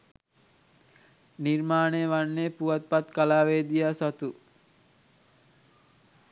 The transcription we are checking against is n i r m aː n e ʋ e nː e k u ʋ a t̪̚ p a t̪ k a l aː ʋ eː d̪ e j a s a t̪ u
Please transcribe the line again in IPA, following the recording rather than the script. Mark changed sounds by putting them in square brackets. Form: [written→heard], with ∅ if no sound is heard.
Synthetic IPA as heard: n i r m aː n e ʋ [e→a] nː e [k→p] u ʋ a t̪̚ p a t̪ k a l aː ʋ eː d̪ [e→i] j a s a t̪ u